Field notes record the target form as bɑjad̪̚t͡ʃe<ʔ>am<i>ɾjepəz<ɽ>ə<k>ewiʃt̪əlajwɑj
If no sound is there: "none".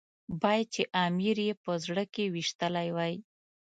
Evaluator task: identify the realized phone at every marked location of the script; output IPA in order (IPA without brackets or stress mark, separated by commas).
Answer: ʔ, i, ɽ, k